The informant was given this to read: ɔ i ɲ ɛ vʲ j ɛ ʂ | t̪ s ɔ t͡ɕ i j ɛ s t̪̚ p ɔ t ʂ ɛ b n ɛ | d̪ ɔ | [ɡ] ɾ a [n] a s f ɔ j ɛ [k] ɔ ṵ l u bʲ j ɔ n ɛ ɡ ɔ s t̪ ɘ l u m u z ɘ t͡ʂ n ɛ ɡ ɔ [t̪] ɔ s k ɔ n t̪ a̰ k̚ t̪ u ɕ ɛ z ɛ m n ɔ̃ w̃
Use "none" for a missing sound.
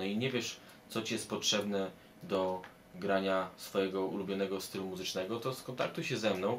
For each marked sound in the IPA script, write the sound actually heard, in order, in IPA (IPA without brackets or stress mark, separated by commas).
ɡ, ɲ, ɡ, t̪